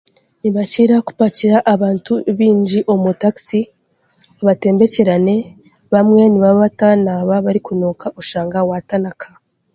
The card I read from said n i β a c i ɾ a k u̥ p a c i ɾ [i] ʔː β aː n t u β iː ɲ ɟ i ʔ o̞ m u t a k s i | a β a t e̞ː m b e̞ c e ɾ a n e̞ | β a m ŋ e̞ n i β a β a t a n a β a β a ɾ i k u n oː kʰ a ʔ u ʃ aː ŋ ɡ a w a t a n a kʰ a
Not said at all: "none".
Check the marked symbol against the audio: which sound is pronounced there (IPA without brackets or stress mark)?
a